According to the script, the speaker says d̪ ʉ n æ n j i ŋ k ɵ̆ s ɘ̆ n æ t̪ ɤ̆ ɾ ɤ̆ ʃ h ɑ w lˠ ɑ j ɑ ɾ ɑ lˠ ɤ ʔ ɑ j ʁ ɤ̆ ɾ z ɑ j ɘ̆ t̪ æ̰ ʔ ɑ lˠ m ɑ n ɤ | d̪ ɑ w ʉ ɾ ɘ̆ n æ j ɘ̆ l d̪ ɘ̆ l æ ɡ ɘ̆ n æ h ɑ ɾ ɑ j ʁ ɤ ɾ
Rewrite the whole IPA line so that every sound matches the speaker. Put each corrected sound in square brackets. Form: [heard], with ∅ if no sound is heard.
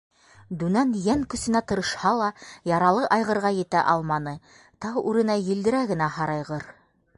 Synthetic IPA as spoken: d̪ ʉ n æ n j [æ] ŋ k ɵ̆ s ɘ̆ n æ t̪ ɤ̆ ɾ ɤ̆ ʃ h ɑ [∅] lˠ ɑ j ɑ ɾ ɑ lˠ ɤ ʔ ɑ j ʁ ɤ̆ ɾ [ʁ] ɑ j ɘ̆ t̪ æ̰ ʔ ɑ lˠ m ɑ n ɤ | [t̪] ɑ w ʉ ɾ ɘ̆ n æ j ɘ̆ l d̪ ɘ̆ [ɾ] æ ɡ ɘ̆ n æ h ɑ ɾ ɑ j ʁ ɤ ɾ

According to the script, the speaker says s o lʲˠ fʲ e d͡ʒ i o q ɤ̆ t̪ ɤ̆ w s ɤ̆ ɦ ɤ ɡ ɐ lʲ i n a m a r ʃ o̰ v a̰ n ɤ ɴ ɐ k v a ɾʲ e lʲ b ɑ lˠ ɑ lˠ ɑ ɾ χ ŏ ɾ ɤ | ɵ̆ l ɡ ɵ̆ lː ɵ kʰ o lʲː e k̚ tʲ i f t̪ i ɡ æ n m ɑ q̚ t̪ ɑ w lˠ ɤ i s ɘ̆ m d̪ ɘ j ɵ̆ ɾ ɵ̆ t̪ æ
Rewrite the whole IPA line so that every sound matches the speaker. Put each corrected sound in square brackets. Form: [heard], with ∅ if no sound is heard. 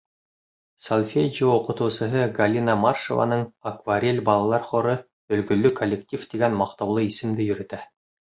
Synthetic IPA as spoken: s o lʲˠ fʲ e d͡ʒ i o q ɤ̆ t̪ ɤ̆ w s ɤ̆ ɦ ɤ ɡ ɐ lʲ i n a m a r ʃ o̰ v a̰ n ɤ ɴ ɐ k v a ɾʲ e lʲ b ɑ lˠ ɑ lˠ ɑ ɾ χ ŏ ɾ ɤ | ɵ̆ l ɡ ɵ̆ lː ɵ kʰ o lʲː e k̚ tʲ i f t̪ i ɡ æ n m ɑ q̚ t̪ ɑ w lˠ ɤ i s ɘ̆ m d̪ ɘ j ɵ̆ ɾ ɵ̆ t̪ æ

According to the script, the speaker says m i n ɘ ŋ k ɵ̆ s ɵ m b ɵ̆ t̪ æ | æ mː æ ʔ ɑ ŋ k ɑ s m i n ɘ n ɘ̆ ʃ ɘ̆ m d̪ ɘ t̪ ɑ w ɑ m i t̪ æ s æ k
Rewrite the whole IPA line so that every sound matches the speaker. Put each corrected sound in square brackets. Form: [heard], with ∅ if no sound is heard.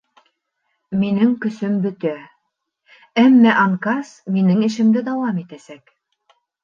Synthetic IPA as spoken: m i n ɘ ŋ k ɵ̆ s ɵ m b ɵ̆ t̪ æ | æ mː æ ʔ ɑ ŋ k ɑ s m i n ɘ [ŋ] ɘ̆ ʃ ɘ̆ m d̪ ɘ [d̪] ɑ w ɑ m i t̪ æ s æ k

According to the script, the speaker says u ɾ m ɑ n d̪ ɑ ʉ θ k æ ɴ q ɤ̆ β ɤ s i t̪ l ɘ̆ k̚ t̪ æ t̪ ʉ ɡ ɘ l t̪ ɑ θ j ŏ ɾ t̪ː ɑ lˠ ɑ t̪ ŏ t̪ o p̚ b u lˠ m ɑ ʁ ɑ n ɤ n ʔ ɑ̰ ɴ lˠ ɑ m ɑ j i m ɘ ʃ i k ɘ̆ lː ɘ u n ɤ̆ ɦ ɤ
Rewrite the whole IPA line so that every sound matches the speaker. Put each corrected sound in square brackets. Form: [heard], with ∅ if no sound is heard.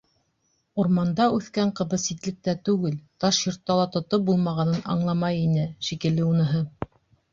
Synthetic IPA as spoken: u ɾ m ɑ n d̪ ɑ ʉ θ k æ ɴ q ɤ̆ β ɤ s i t̪ l ɘ̆ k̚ t̪ æ t̪ ʉ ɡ ɘ l t̪ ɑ [ʃ] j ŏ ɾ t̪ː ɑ lˠ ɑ t̪ ŏ t̪ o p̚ b u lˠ m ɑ ʁ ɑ n ɤ n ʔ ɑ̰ ɴ lˠ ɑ m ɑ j i [n] ɘ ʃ i k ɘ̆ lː ɘ u n ɤ̆ ɦ ɤ

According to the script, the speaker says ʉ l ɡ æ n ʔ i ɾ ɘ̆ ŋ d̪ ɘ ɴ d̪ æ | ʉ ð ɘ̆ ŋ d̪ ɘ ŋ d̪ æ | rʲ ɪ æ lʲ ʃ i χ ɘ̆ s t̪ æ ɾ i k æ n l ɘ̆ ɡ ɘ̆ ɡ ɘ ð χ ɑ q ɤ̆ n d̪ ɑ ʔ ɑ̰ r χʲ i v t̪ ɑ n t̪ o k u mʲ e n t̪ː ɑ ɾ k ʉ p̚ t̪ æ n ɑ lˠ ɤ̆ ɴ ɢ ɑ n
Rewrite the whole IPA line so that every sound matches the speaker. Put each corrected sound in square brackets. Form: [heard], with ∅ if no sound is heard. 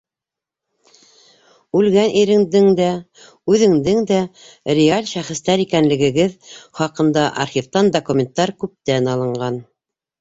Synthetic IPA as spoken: ʉ l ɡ æ n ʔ i ɾ ɘ̆ ŋ d̪ ɘ [ŋ] d̪ æ | ʉ ð ɘ̆ ŋ d̪ ɘ ŋ d̪ æ | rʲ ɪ [a] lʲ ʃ [æ] χ ɘ̆ s t̪ æ ɾ i k æ n l ɘ̆ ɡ ɘ̆ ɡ ɘ ð χ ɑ q ɤ̆ n d̪ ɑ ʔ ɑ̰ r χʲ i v t̪ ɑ n [d̪] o k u mʲ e n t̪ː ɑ ɾ k ʉ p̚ t̪ æ n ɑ lˠ ɤ̆ ɴ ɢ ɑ n

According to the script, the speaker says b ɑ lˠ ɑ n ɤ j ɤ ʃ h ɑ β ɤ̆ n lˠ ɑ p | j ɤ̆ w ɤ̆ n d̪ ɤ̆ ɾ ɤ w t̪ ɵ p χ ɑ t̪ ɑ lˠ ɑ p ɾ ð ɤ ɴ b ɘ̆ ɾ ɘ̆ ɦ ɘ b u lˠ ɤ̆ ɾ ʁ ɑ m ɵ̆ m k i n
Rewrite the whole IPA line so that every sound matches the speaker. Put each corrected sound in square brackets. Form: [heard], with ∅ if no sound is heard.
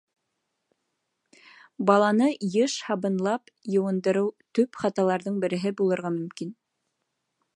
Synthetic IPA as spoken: b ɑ lˠ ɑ n ɤ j ɤ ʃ h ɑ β ɤ̆ n lˠ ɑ p | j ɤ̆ w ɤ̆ n d̪ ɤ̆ ɾ ɤ w t̪ ɵ p χ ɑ t̪ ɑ lˠ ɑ [∅] ɾ ð ɤ ɴ b ɘ̆ ɾ ɘ̆ ɦ ɘ b u lˠ ɤ̆ ɾ ʁ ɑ m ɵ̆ m k i n

